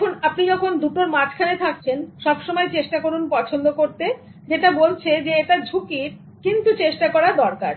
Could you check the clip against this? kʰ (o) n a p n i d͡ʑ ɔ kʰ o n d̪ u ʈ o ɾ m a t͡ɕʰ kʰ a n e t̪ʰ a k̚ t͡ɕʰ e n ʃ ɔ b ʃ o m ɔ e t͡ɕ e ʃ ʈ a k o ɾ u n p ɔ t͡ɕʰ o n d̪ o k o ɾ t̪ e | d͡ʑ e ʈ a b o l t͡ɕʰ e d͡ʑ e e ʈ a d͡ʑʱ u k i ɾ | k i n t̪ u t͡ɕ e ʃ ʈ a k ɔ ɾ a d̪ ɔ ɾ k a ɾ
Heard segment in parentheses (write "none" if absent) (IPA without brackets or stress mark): u